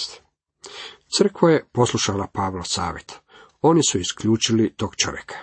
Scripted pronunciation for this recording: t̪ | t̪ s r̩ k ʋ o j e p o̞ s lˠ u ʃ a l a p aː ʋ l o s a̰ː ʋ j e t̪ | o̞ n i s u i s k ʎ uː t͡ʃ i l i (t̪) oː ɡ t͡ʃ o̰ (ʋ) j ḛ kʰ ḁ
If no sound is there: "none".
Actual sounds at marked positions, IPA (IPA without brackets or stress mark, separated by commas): t̪, ʋ